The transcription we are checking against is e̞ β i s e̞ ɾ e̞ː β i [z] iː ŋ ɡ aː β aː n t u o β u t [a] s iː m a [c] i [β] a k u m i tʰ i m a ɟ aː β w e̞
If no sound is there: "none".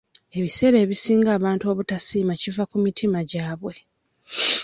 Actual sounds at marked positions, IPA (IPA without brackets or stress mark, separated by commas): s, a, c, v